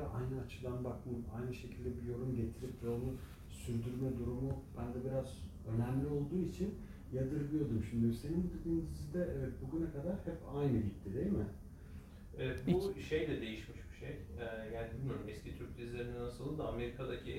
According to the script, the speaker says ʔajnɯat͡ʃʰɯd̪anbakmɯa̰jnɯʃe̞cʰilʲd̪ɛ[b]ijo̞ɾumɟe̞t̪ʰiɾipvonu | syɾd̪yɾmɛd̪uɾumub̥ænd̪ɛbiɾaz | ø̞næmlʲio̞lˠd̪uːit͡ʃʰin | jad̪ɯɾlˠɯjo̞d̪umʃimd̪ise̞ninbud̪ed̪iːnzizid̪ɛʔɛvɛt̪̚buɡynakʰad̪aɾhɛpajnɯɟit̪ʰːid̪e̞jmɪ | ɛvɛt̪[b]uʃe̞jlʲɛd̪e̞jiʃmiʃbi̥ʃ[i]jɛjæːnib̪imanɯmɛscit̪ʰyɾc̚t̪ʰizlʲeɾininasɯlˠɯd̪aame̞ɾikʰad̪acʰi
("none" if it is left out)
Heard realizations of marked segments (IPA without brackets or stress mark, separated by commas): b, b, e